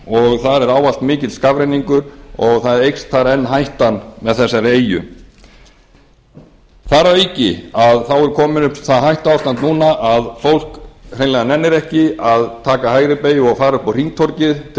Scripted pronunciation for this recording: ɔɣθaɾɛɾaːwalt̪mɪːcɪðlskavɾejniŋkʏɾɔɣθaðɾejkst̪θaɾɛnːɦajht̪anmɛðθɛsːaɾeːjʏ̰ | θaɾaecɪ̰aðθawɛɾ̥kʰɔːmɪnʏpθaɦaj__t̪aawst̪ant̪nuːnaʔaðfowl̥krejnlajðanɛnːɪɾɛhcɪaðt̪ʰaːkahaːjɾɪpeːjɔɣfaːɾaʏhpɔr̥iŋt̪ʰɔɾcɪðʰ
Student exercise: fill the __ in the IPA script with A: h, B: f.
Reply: A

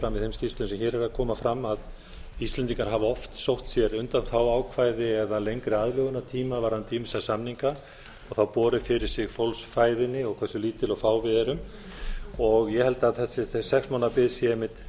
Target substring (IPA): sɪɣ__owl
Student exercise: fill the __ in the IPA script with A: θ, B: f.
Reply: B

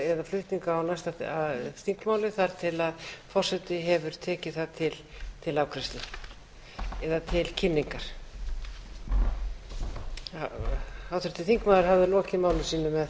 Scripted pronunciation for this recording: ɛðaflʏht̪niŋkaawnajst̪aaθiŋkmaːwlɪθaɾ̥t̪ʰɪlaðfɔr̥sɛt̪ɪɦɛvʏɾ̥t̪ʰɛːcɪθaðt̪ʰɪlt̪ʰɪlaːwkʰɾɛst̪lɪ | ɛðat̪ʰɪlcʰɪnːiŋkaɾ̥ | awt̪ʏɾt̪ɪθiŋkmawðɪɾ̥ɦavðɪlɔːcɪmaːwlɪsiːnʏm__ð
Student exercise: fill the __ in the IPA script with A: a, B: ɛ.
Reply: B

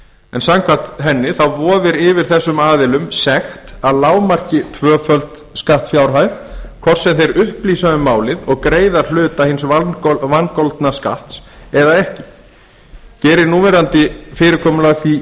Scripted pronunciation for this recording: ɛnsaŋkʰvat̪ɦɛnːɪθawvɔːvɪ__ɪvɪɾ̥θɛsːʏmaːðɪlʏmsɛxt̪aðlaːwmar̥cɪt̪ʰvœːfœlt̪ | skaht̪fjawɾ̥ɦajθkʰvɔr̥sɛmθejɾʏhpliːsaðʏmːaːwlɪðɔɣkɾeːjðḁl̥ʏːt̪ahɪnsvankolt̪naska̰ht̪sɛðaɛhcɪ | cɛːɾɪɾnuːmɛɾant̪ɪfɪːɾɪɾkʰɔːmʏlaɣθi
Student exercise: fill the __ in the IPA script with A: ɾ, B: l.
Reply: A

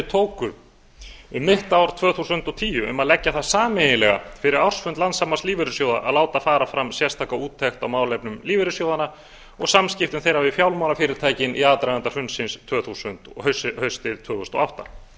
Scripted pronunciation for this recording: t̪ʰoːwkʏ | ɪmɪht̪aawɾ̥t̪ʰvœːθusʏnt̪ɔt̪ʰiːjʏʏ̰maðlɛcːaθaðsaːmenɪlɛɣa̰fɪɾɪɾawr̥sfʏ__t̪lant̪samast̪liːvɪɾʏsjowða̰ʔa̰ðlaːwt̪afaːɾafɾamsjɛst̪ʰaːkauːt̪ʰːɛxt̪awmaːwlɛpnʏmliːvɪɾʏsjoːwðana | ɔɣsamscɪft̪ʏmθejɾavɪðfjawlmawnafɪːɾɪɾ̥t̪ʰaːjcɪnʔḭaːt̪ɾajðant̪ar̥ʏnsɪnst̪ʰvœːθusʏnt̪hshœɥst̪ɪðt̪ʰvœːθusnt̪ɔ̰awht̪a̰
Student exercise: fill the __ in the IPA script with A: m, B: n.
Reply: B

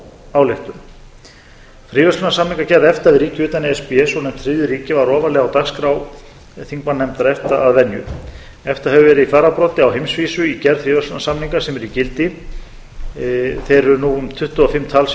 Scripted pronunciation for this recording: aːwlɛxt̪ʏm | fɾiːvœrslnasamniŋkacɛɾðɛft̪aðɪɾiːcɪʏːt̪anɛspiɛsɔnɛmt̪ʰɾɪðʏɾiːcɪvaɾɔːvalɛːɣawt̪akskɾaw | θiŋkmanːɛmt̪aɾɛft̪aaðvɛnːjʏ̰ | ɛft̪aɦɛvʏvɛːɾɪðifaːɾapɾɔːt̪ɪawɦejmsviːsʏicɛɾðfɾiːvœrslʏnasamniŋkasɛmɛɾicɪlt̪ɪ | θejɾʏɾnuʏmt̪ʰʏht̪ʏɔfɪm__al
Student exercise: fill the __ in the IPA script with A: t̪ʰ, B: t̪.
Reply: A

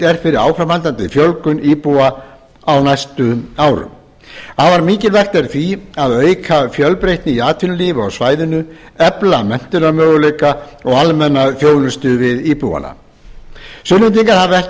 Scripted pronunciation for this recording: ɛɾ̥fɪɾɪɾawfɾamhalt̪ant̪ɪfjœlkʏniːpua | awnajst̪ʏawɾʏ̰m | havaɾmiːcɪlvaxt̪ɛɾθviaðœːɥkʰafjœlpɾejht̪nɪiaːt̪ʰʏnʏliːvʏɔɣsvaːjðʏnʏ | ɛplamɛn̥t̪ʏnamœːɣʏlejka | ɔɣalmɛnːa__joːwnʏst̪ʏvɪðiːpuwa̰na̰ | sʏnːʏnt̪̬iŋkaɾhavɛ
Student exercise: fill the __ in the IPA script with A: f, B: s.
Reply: A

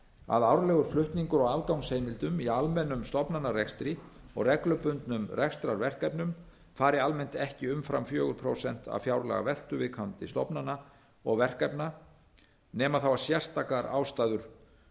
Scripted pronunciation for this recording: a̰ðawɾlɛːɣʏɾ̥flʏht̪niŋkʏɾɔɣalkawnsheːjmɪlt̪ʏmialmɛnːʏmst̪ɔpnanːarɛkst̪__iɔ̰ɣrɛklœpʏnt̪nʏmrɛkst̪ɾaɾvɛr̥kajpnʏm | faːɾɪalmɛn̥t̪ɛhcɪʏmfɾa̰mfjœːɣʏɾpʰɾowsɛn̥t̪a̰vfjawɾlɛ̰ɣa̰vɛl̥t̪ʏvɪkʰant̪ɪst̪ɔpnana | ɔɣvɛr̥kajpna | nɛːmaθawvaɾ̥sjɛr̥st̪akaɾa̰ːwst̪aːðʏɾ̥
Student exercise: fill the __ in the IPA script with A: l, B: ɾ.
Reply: B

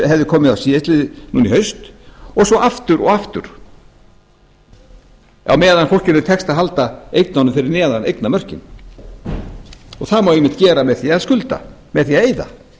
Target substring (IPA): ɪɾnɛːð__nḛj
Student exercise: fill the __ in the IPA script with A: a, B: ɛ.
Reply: A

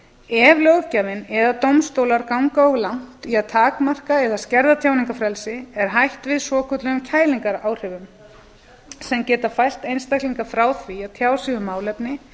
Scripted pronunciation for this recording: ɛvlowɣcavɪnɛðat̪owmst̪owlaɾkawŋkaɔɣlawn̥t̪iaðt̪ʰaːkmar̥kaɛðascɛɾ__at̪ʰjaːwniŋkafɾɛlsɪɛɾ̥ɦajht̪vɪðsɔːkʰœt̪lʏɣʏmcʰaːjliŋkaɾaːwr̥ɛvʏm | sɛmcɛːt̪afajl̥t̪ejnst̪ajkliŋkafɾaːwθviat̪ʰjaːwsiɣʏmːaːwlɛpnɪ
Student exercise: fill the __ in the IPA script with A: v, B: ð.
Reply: B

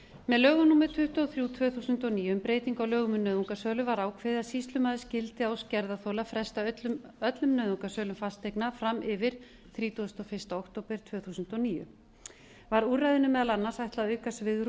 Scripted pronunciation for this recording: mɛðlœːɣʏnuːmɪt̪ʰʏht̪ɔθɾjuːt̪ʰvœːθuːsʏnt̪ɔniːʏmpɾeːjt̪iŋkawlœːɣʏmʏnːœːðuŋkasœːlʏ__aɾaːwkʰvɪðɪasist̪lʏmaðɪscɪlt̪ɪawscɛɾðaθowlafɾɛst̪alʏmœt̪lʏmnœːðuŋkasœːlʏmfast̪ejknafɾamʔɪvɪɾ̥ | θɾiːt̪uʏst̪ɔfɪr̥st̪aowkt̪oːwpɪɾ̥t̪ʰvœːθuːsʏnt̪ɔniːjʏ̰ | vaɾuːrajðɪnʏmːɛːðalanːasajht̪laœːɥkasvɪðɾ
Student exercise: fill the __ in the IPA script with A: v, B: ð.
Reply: A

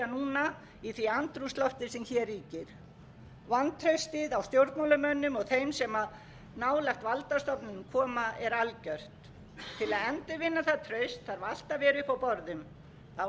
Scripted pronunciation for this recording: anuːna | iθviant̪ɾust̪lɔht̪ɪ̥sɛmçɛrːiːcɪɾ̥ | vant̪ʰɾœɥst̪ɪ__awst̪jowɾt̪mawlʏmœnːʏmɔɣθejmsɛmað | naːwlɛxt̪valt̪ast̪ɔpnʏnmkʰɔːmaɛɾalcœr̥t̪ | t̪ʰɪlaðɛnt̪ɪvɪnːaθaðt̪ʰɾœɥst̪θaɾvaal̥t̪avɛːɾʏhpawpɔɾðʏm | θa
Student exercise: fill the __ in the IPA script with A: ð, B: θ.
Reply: A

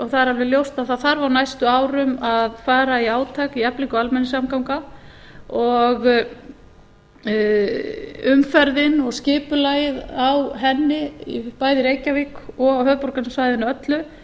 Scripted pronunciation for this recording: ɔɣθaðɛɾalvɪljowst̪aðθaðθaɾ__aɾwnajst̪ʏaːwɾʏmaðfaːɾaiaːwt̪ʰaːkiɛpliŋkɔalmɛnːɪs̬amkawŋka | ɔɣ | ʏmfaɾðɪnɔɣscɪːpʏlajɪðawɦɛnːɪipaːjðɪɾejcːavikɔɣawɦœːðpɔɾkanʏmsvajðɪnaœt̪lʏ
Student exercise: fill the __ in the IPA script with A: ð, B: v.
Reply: B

